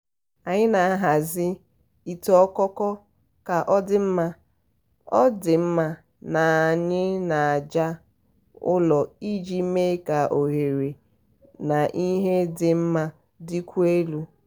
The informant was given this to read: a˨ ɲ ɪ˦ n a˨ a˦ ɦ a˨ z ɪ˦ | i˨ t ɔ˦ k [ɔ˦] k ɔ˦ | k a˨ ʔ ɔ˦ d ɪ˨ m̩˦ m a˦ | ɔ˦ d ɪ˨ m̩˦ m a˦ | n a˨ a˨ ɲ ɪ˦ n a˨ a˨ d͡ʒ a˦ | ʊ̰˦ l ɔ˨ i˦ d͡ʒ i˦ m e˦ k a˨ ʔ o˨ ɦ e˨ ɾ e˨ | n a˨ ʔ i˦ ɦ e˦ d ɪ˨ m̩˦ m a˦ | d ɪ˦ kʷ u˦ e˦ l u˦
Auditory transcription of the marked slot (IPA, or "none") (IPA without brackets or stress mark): ɔ˦